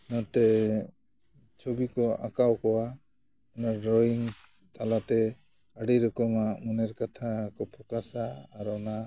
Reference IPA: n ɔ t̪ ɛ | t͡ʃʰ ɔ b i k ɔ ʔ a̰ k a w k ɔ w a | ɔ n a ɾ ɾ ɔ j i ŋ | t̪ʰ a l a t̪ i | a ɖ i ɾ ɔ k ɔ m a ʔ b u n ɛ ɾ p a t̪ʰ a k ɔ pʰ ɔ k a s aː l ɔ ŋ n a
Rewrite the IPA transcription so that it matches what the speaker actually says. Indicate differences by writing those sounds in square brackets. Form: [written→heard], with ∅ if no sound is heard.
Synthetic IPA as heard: n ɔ t̪ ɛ | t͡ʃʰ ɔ b i k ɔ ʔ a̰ k a w k ɔ w a | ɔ n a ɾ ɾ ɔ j i ŋ | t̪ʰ a l a t̪ [i→ɛ] | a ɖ i ɾ ɔ k ɔ m a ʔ [b→m] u n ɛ ɾ [p→k] a t̪ʰ a k ɔ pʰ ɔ k a s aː [l→ɾ] ɔ [ŋ→∅] n a